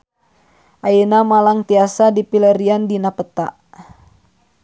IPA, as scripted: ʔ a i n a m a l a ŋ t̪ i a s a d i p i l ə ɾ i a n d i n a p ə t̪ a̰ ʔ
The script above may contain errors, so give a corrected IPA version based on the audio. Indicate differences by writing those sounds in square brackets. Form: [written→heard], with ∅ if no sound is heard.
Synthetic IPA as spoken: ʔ a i n a m a l a ŋ t̪ i a s a d i p i l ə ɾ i a n d i n a p ə t̪ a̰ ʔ